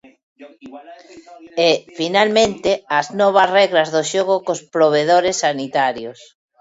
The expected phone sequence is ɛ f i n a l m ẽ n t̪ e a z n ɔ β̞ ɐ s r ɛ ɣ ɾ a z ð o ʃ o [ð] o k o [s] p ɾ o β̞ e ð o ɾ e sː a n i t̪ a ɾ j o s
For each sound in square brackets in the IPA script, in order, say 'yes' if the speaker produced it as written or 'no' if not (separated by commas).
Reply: no, yes